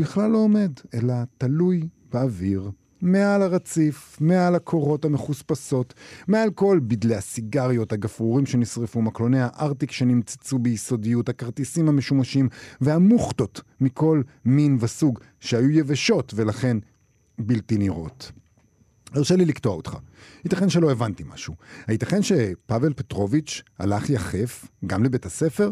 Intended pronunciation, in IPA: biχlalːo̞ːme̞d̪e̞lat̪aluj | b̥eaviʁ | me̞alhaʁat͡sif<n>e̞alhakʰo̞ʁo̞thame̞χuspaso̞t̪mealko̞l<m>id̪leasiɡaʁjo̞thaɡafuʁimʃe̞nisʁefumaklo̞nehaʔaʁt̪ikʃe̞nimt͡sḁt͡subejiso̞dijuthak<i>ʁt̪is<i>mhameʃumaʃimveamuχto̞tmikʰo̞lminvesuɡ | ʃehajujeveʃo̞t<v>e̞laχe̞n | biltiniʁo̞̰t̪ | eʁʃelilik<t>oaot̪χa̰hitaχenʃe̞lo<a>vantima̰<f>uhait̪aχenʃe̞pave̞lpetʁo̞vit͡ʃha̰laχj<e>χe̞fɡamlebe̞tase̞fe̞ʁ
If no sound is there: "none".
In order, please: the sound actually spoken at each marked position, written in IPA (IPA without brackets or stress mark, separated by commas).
m, b, a, i, v, t, e, ʃ, a